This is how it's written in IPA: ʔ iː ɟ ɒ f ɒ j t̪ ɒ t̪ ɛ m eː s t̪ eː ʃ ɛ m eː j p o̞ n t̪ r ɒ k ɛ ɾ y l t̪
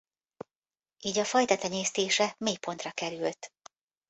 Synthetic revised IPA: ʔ iː ɟ ɒ f ɒ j t̪ ɒ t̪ ɛ ɲ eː s t̪ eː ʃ ɛ m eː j p o̞ n t̪ r ɒ k ɛ ɾ y l t̪